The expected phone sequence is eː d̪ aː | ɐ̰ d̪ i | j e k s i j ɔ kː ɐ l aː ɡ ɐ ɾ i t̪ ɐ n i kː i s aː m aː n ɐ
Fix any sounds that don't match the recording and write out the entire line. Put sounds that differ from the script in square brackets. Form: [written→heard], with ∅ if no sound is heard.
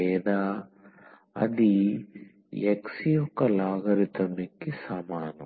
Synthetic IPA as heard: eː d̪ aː | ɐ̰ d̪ i | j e k s i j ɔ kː ɐ l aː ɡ ɐ ɾ i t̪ ɐ [n→m] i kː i s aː m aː n ɐ